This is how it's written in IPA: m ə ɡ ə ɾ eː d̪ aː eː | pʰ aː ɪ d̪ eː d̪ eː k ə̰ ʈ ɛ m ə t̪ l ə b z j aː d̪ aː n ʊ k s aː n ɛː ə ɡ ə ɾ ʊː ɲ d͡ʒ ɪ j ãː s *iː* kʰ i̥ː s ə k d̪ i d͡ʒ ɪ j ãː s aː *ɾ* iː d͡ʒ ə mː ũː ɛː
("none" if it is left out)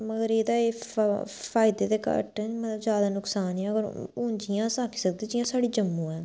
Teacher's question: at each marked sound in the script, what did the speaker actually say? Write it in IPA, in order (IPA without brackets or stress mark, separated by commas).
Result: aː, ɽ